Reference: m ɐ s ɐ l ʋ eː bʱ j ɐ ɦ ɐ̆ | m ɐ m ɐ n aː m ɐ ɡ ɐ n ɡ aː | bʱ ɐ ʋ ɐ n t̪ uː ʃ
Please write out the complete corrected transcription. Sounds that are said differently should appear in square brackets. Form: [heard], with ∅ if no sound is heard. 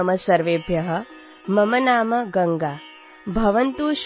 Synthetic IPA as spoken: m ɐ s ɐ [ɾ] ʋ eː bʱ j ɐ ɦ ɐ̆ | m ɐ m ɐ n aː m ɐ ɡ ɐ [ŋ] ɡ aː | bʱ ɐ ʋ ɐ n t̪ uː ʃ

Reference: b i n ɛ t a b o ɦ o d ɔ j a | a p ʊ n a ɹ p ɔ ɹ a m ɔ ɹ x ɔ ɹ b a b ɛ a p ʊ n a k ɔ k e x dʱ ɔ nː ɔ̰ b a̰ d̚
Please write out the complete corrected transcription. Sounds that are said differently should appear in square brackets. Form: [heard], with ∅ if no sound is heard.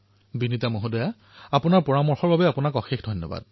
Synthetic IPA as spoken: b i n [i] t a [m] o ɦ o d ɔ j a | a p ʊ n a ɹ p ɔ ɹ a m ɔ ɹ x ɔ ɹ b a b ɛ a p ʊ n a k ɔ [x] e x dʱ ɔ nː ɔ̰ b a̰ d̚

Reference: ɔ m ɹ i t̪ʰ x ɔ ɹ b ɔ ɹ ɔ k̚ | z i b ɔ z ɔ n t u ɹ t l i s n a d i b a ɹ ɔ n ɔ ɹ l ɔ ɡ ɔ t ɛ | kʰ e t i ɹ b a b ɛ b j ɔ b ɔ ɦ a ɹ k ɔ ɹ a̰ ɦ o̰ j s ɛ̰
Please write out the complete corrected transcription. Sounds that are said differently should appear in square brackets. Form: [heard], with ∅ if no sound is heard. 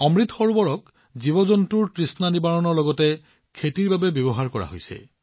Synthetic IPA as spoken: ɔ m ɹ i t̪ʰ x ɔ ɹ b ɔ ɹ ɔ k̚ | z i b ɔ z ɔ n t u ɹ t [ɹ] i s n a [n] i b a ɹ ɔ n ɔ ɹ l ɔ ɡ ɔ t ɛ | kʰ e t i ɹ b a b ɛ b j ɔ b ɔ ɦ a ɹ k ɔ ɹ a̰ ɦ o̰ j s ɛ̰

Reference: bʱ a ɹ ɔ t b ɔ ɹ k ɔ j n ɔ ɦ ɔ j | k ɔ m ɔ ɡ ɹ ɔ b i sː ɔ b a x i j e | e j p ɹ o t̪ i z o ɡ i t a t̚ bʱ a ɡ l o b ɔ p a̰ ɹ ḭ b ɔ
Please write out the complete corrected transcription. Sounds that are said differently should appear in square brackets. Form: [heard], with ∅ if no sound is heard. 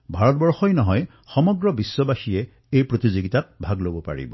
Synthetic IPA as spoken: bʱ a ɹ ɔ t b ɔ ɹ [x] ɔ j n ɔ ɦ ɔ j | [x] ɔ m ɔ ɡ ɹ ɔ b i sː ɔ b a x i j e | e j p ɹ o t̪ i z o ɡ i t a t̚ bʱ a ɡ l o b ɔ p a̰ ɹ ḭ b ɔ

